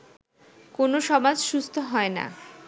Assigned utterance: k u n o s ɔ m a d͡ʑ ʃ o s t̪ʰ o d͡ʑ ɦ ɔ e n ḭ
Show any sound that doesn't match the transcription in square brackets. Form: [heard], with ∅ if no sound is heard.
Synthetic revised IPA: k [o] n o [ʃ] ɔ m a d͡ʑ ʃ [u] s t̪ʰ o [∅] ɦ ɔ e n [a̰]